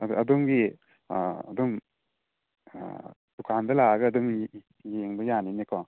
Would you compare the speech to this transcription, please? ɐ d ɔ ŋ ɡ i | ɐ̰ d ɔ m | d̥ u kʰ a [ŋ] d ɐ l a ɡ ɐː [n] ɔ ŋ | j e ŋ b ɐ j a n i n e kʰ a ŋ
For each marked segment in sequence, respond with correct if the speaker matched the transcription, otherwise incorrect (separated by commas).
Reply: incorrect, incorrect